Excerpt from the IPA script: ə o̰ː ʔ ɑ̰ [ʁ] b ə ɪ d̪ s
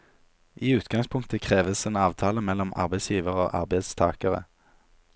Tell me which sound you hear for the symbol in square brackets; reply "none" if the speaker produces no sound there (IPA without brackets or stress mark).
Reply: ʁ